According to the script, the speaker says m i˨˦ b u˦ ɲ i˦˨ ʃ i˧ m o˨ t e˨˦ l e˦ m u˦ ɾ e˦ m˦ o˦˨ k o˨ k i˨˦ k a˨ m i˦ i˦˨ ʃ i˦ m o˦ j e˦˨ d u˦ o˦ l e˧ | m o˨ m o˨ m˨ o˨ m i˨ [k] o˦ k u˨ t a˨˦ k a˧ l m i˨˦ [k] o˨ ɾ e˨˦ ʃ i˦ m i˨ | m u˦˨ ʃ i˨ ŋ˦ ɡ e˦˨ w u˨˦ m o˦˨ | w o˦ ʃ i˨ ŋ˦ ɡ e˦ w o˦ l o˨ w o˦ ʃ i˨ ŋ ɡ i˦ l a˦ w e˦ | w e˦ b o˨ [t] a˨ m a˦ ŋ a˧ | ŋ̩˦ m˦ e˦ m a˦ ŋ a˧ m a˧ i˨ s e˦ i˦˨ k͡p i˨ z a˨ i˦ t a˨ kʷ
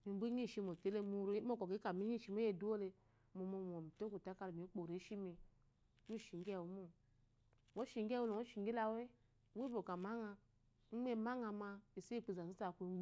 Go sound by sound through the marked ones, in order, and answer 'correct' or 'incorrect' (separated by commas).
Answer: incorrect, incorrect, incorrect